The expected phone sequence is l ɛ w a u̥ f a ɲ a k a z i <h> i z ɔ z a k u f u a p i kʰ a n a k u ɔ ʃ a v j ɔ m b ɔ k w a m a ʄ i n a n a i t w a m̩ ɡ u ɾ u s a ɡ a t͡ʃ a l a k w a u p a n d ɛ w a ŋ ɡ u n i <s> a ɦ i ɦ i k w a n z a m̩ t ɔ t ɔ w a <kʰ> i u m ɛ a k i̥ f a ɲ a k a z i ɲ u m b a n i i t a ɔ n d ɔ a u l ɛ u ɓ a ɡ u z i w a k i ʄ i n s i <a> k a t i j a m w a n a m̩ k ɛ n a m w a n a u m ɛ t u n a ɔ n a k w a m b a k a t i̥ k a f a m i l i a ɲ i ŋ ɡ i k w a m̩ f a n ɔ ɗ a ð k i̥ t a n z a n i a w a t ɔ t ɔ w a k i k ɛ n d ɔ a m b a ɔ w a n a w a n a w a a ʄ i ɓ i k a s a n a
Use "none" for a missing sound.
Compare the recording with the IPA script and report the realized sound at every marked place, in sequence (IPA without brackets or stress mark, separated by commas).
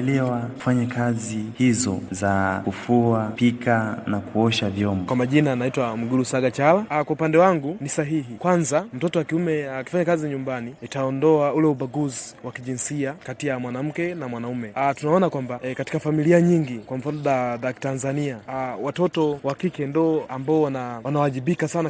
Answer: h, s, k, a